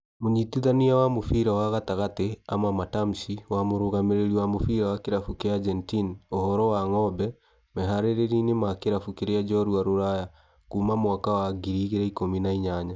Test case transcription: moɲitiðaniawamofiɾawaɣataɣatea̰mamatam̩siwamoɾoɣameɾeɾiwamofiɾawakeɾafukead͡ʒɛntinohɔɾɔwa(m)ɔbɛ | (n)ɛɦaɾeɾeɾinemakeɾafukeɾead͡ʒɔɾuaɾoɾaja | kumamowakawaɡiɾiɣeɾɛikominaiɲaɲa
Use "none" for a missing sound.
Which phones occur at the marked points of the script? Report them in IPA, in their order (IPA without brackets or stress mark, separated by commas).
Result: ŋ, m